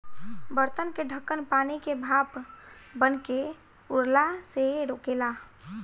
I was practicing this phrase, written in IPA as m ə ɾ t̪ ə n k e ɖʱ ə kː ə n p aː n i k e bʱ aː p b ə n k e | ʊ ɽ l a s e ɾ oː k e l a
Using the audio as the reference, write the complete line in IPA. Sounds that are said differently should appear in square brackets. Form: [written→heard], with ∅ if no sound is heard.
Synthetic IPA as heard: [m→b] ə ɾ t̪ ə n k e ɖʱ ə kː ə n p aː n i k e bʱ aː p b ə n k e | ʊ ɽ l a s e ɾ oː k e l a